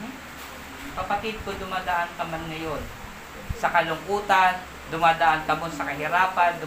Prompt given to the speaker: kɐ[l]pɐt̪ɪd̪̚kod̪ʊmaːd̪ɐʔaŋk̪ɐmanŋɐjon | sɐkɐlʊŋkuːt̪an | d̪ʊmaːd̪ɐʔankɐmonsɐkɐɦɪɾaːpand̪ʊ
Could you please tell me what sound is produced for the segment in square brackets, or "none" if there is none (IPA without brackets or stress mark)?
none